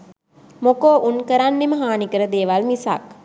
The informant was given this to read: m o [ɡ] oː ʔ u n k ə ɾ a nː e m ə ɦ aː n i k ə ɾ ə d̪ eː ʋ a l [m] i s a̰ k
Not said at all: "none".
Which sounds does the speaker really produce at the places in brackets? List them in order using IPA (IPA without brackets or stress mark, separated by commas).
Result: k, m